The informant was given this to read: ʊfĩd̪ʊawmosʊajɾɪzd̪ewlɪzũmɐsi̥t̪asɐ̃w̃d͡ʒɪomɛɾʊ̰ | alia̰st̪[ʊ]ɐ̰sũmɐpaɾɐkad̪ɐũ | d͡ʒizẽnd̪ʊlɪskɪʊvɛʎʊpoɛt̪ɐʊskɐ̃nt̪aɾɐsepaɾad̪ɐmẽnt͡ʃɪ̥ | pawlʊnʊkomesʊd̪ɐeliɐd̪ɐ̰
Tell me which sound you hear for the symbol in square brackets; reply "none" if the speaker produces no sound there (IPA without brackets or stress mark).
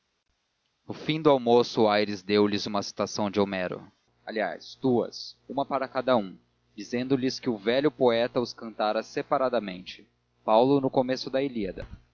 u